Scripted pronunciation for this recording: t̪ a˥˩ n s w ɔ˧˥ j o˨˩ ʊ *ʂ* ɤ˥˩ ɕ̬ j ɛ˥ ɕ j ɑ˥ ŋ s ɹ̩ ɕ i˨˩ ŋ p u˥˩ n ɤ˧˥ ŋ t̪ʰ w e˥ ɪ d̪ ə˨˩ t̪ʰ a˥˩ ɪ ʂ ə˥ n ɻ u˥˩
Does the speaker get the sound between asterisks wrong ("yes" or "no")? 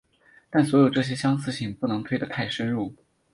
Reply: yes